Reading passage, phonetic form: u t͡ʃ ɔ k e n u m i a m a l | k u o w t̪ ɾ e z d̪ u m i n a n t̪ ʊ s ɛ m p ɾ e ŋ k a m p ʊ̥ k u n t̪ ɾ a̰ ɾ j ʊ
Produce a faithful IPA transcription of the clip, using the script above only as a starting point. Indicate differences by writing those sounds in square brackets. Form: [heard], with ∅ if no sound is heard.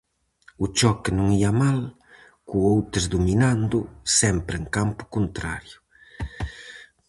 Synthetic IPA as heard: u t͡ʃ ɔ k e n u [ŋ] i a m a l | k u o w t̪ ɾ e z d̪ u m i n a n [d̪] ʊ s ɛ m p ɾ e ŋ k a m p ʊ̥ k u n t̪ ɾ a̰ ɾ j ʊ